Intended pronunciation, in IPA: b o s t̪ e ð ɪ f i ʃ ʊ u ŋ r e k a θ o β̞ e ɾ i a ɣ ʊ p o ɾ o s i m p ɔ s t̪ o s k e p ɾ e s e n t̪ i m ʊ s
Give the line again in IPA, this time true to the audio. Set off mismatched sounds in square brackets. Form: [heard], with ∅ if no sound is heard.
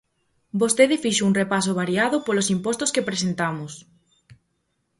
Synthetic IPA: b o s t̪ e ð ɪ f i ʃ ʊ u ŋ r e [p] a [s] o β̞ [a] ɾ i a [ð] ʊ p o [l] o s i m p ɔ s t̪ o s k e p ɾ e s e n t̪ [a] m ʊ s